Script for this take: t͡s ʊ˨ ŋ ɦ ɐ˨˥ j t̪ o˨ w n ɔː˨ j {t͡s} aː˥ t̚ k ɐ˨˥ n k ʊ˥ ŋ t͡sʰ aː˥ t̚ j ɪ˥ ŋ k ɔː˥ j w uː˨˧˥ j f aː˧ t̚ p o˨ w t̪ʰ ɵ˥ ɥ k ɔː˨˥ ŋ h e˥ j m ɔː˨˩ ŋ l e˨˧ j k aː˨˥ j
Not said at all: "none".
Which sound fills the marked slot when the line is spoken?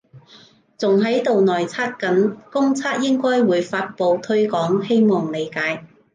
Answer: t͡sʰ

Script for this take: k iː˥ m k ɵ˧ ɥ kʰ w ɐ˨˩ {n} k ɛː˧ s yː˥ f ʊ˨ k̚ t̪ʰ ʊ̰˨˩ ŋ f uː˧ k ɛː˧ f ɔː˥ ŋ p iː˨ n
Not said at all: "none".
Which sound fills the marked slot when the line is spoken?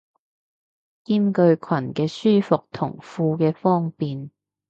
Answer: n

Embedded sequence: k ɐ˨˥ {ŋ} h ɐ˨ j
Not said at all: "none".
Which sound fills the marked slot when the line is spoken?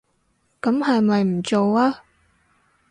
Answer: m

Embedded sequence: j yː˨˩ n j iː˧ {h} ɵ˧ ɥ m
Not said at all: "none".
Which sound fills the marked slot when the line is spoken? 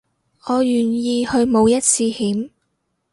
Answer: h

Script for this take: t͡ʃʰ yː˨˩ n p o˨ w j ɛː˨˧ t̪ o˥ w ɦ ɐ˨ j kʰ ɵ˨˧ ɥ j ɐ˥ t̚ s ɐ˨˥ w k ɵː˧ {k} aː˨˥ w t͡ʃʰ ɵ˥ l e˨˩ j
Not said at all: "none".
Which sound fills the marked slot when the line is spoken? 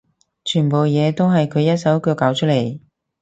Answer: k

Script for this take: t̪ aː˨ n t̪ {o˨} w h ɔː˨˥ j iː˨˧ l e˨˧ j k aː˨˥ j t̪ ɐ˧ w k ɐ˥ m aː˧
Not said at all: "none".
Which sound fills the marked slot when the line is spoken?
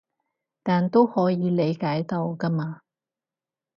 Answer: o˥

